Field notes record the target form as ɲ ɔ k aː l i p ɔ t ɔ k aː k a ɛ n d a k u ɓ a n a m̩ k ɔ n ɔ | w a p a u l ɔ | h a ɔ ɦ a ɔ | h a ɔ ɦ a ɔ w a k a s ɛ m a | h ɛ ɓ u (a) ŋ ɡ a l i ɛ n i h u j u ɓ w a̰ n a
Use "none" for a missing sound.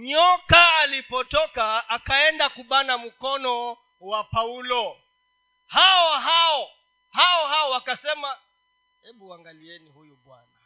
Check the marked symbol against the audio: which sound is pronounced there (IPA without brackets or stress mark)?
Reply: a